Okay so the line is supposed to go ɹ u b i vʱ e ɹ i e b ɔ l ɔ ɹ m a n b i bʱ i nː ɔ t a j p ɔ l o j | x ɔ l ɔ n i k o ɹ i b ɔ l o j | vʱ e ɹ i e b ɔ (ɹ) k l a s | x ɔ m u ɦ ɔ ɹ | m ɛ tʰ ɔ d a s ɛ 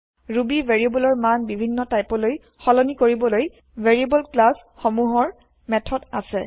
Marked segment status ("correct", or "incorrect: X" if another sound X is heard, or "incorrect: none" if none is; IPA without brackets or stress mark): incorrect: l